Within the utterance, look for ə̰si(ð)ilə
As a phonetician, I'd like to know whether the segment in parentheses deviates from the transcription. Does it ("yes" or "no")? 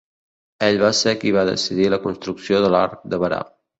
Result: no